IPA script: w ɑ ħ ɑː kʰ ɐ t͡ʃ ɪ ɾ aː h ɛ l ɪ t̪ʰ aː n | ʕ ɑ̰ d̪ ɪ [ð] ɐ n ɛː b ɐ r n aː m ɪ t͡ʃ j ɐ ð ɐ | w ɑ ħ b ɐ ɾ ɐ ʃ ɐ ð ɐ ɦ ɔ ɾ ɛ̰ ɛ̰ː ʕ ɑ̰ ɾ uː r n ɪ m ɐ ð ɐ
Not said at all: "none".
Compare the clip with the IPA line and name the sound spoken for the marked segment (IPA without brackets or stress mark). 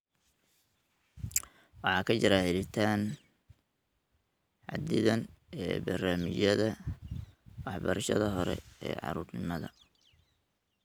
ð